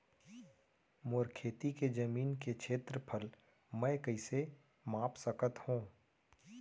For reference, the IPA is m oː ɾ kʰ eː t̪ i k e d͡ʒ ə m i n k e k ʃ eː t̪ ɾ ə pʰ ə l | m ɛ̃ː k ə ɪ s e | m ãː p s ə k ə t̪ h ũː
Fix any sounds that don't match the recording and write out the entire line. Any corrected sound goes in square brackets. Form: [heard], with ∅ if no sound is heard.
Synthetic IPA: m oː ɾ kʰ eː t̪ i k e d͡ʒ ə m [iː] n k e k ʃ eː t̪ ɾ ə pʰ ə l | m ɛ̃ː k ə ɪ s e | m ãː p s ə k ə t̪ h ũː